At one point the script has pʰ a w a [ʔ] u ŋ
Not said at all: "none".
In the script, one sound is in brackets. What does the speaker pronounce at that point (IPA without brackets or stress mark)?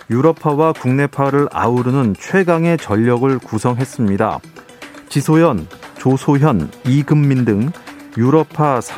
k